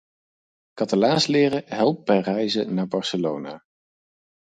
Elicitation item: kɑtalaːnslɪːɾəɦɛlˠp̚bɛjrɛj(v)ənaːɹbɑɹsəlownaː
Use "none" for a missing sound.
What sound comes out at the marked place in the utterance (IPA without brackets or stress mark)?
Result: z